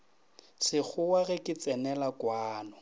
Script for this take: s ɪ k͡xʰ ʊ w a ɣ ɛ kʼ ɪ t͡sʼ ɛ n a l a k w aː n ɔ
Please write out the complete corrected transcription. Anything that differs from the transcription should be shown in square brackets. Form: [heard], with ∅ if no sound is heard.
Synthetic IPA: s ɪ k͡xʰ ʊ w a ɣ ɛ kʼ ɪ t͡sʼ ɛ n [ɛ] l a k w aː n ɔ